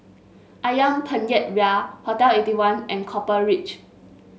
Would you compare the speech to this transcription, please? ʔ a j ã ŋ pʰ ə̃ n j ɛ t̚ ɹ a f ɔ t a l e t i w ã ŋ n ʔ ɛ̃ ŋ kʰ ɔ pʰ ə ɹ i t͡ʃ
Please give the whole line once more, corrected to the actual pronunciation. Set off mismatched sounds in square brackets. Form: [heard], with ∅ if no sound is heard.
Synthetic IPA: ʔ a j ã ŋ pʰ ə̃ n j ɛ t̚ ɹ a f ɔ t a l e t i w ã [∅] n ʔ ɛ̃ [n] kʰ ɔ [p] ə ɹ i t͡ʃ